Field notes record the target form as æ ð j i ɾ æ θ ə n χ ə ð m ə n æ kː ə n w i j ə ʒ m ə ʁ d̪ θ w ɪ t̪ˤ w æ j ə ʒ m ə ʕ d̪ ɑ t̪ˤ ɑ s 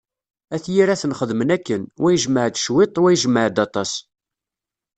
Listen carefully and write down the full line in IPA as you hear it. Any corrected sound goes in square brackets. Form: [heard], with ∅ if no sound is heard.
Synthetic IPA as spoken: æ [θ] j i ɾ æ θ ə n χ ə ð m ə n æ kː ə n w [æ] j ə ʒ m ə [ʕ] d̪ [ʃ] w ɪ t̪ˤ w æ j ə ʒ m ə ʕ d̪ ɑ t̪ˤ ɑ s